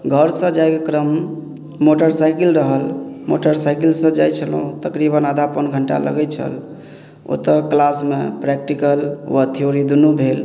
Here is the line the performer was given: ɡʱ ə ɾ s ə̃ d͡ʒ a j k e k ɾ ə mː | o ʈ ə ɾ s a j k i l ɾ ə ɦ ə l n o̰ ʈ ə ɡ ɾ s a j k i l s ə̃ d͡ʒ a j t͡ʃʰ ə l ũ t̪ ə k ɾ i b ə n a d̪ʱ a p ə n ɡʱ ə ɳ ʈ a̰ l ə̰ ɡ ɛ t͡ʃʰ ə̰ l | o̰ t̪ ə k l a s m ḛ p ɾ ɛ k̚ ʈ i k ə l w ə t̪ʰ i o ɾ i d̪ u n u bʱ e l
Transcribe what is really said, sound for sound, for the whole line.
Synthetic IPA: ɡʱ ə ɾ s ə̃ d͡ʒ a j k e k ɾ ə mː | o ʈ ə ɾ s a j k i l ɾ ə ɦ ə l m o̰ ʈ ə ɾ s a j k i l s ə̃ d͡ʒ a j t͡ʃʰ ə l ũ t̪ ə k ɾ i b ə n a d̪ʱ a p ə n ɡʱ ə ɳ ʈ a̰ l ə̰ ɡ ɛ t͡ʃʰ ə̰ l | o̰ t̪ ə k l a s m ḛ p ɾ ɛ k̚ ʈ i k ə l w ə t̪ʰ i o ɾ i d̪ u n u bʱ e l